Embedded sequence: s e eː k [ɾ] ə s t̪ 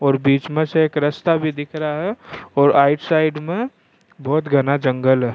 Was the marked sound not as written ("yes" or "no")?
no